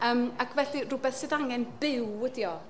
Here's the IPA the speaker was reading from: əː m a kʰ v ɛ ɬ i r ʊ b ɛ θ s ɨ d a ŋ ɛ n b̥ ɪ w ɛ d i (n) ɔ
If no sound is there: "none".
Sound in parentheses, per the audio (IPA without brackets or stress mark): none